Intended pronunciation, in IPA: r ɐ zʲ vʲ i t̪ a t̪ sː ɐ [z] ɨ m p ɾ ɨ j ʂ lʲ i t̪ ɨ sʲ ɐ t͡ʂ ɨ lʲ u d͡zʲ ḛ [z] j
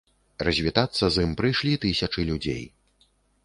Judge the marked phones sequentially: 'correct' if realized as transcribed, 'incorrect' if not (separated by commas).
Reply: correct, incorrect